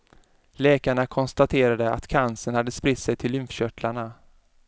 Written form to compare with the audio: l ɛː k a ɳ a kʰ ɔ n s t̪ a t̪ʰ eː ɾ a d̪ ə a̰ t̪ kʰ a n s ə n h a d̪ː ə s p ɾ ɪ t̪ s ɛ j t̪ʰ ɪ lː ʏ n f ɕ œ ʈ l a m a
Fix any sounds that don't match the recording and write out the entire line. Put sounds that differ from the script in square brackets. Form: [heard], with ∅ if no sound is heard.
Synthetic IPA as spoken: l ɛː k a ɳ a kʰ ɔ n s t̪ a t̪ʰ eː ɾ a d̪ ə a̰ t̪ kʰ a n s ə n h a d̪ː ə s p ɾ ɪ t̪ s ɛ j t̪ʰ ɪ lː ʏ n f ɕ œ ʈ l a [ɳ] a